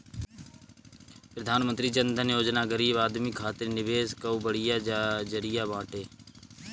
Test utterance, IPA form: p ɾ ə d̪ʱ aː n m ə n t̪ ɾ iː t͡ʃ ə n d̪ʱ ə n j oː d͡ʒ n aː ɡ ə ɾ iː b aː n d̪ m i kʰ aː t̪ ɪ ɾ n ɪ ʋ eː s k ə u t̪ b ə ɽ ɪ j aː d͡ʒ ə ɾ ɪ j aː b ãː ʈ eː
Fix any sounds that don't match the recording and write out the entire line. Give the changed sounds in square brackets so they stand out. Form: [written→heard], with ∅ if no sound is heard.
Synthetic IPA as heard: p ɾ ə d̪ʱ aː n m ə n t̪ ɾ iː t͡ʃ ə n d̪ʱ ə n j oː d͡ʒ n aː ɡ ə ɾ iː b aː [n→∅] d̪ m i kʰ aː t̪ ɪ ɾ n ɪ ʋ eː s k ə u [t̪→∅] b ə ɽ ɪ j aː d͡ʒ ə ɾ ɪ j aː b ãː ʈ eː